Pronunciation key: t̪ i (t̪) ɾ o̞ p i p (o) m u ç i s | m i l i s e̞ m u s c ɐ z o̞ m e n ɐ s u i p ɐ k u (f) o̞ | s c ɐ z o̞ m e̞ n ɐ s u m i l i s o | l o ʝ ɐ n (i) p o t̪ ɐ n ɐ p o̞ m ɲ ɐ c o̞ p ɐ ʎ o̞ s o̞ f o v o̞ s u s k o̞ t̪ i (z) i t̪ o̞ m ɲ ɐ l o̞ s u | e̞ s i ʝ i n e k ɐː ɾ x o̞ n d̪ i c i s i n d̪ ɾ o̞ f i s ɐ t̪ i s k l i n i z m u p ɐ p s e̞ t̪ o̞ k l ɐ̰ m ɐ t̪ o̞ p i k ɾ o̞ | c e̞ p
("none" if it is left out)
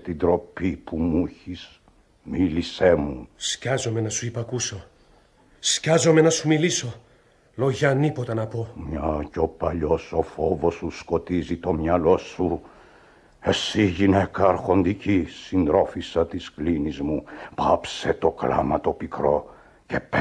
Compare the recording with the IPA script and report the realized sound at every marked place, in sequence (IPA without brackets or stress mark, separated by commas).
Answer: d̪, u, s, i, z